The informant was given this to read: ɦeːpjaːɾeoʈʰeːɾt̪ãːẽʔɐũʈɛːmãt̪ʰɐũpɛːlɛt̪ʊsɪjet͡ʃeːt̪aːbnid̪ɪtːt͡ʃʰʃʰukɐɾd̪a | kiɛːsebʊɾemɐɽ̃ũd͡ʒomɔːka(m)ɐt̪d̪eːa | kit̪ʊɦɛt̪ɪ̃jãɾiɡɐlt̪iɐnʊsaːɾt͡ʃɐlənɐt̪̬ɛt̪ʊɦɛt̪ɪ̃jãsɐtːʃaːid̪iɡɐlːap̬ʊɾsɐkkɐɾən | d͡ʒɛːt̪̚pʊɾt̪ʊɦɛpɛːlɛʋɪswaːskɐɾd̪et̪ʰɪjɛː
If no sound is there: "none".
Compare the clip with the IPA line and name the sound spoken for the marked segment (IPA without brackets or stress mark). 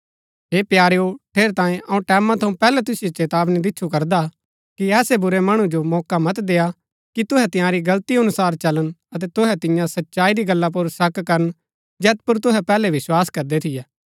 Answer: m